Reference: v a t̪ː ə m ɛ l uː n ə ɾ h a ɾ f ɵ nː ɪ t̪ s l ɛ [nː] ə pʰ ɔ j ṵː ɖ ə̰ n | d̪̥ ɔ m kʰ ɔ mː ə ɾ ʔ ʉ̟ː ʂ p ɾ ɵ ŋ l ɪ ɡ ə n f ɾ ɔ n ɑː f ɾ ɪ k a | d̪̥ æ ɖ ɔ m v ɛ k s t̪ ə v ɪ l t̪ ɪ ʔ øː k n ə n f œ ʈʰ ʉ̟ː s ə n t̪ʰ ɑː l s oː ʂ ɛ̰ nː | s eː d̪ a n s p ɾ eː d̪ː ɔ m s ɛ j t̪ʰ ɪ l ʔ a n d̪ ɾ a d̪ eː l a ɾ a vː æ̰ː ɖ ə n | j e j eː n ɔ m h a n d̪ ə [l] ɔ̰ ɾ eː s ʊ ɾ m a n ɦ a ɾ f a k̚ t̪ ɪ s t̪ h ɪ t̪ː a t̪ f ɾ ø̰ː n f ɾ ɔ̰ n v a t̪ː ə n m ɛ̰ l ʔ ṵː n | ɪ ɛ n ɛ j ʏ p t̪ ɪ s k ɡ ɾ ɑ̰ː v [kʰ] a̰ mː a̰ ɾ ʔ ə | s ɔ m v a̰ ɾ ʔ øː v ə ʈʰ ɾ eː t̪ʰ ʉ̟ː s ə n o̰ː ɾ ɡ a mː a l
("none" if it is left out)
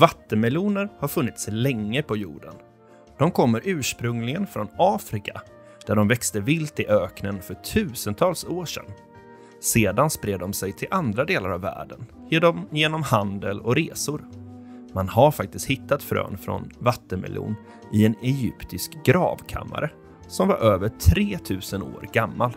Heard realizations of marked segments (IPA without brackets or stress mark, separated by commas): ŋː, l, kʰ